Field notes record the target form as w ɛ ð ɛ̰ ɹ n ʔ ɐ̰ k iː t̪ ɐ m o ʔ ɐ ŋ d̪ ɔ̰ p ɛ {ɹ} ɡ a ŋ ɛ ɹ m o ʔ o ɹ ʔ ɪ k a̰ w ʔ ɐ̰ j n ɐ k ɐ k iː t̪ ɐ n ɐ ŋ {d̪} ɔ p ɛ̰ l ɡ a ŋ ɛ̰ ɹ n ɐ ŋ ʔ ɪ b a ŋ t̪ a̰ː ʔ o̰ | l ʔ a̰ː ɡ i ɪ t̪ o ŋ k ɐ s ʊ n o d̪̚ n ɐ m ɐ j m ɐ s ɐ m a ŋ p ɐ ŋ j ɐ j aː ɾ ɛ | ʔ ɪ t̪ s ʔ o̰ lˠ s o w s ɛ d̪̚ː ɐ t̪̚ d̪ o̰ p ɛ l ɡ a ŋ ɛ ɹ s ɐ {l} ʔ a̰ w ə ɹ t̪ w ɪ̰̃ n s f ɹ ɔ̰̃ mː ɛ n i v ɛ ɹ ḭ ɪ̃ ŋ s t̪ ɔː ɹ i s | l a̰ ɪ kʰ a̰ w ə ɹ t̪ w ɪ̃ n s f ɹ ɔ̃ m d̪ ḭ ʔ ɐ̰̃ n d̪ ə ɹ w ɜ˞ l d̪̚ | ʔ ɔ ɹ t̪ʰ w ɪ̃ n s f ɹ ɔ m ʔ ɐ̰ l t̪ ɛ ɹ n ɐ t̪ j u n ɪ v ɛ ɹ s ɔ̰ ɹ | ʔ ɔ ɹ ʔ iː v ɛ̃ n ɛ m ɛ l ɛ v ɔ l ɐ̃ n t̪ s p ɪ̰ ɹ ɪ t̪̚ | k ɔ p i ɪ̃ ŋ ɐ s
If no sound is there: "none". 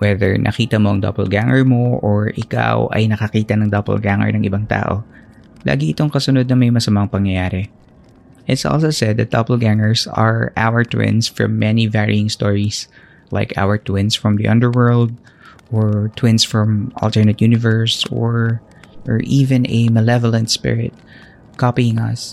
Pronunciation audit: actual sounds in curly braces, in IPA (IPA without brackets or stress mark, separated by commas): l, d̪, ɹ